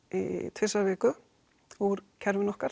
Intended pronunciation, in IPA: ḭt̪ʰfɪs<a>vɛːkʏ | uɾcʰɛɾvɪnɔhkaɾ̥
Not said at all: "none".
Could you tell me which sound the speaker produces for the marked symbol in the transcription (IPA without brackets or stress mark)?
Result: a